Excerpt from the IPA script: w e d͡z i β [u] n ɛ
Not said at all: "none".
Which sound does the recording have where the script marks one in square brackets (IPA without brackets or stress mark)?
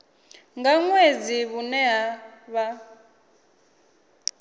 u